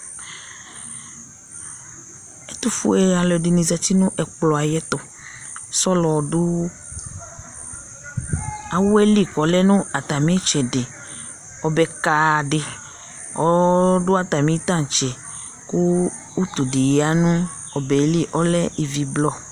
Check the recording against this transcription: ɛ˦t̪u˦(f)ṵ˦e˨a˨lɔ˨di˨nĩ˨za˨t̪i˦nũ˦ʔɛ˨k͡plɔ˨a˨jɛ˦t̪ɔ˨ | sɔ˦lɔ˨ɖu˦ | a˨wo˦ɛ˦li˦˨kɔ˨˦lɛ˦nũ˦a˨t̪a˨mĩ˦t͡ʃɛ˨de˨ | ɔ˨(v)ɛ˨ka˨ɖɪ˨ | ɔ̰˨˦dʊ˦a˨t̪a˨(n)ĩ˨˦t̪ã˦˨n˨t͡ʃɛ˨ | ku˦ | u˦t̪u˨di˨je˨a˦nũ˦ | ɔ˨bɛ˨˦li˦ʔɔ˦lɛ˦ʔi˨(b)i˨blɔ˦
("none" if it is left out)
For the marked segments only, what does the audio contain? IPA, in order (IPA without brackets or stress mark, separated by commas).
f, b, m, v